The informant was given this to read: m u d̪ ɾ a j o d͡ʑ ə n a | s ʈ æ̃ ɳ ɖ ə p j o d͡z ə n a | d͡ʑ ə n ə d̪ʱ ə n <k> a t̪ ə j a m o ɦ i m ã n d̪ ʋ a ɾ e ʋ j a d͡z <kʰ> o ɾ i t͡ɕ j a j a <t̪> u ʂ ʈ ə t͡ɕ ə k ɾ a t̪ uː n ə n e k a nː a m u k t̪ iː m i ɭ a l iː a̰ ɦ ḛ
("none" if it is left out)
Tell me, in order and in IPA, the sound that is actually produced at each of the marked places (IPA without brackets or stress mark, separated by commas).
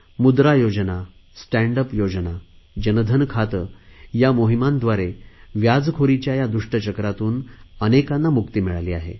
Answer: kʰ, kʰ, d̪